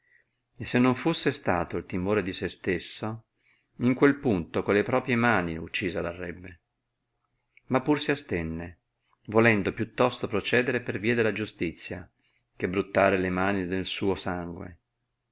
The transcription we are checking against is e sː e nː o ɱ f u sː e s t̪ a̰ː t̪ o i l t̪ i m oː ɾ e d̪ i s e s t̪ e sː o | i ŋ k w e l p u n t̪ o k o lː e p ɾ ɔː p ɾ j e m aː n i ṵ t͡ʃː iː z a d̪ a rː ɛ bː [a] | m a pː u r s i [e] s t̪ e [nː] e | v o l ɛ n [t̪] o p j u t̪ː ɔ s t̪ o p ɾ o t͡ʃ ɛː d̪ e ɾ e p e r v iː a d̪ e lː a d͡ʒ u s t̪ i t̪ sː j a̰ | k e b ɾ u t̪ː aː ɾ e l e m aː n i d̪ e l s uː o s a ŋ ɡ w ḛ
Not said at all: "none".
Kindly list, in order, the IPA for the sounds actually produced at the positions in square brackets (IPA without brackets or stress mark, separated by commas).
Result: e, a, nː, d̪